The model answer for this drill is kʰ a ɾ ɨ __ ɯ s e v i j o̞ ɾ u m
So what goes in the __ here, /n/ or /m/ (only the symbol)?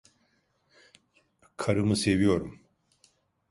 m